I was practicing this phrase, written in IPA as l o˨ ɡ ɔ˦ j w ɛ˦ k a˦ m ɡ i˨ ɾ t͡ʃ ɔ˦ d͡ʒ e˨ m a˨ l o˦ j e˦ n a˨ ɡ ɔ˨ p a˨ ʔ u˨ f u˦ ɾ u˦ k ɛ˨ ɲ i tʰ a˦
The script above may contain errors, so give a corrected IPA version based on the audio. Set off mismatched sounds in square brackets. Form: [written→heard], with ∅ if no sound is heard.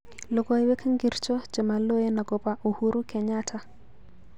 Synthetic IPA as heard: l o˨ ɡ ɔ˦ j w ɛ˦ k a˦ [m→ŋ] ɡ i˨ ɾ t͡ʃ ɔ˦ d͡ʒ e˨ m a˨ l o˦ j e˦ n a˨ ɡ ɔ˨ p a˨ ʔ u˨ [f→h] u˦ ɾ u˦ k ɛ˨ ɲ [i→a] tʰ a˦